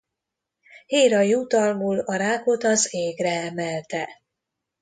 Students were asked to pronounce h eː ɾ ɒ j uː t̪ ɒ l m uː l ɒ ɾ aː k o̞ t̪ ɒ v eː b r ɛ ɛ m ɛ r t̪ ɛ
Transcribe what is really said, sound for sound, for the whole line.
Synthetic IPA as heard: h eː ɾ ɒ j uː t̪ ɒ l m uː l ɒ ɾ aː k o̞ t̪ ɒ z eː ɡ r ɛ ɛ m ɛ l t̪ ɛ